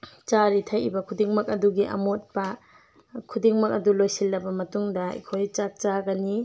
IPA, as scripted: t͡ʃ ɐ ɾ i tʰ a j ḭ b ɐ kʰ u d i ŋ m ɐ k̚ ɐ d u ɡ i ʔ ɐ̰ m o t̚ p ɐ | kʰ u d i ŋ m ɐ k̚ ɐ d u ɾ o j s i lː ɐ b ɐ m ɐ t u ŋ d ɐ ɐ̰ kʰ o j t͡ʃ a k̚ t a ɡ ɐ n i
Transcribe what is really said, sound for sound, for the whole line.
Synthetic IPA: t͡ʃ a ɾ i tʰ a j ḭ b ɐ kʰ u d i ŋ m ɐ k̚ ɐ d u ɡ i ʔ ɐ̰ m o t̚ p ɐ | kʰ u d i ŋ m ɐ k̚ ɐ d u l o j s i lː ɐ b ɐ m ɐ t u ŋ d ɐ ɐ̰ kʰ o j t͡ʃ a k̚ t͡ʃ a ɡ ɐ n i

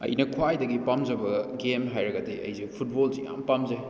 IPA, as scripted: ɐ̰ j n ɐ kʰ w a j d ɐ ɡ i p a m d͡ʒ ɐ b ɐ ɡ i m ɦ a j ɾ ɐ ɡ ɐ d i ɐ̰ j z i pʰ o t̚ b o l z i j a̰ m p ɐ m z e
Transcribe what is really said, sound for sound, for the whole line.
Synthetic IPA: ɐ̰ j n ɐ kʰ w a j d ɐ ɡ i p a m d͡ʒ ɐ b ɐ ɡ e m ɦ a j ɾ ɐ ɡ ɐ d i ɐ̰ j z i pʰ u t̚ b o l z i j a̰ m p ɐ m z e

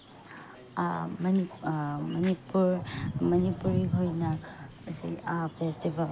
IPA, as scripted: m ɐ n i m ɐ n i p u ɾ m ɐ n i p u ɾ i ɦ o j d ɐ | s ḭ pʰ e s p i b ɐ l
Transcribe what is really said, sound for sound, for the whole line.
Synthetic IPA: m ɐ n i m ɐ n i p u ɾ m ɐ n i p u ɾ i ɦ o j n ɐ | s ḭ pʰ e s t i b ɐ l

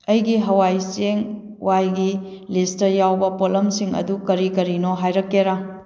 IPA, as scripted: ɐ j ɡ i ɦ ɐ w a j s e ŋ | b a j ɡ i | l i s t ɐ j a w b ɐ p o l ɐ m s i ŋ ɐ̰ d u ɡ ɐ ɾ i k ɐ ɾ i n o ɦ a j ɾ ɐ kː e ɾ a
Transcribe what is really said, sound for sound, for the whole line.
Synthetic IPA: ɐ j ɡ i ɦ ɐ w a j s e ŋ | w a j ɡ i | l i s t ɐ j a w b ɐ p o l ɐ m s i ŋ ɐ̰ d u k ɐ ɾ i k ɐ ɾ i n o ɦ a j ɾ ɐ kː e ɾ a

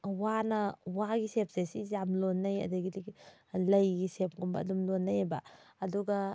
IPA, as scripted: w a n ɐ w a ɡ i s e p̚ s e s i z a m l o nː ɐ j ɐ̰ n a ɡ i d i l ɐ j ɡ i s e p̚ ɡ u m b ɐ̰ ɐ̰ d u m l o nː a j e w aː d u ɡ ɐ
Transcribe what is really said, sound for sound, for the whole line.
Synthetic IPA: w a n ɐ w a ɡ i s e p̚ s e s i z a m l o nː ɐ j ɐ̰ d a ɡ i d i l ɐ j ɡ i s e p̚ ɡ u m b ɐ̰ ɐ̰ d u m l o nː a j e b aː d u ɡ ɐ

